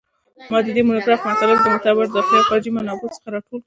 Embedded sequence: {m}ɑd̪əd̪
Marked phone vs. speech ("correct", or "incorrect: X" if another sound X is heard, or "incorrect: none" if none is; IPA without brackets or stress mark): correct